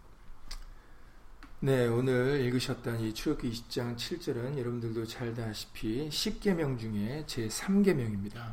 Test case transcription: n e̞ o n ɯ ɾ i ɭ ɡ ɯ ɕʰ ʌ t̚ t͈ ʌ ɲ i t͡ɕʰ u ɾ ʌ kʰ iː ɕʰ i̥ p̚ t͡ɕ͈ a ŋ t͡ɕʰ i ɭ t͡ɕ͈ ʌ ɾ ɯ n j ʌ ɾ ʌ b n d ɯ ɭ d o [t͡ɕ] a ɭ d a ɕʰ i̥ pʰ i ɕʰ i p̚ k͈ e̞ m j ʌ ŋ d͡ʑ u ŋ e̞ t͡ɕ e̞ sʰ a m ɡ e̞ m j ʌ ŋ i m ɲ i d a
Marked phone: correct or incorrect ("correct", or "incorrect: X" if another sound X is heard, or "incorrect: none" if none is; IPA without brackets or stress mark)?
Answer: correct